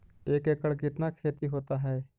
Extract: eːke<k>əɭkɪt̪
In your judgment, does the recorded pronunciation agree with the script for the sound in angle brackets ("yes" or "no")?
yes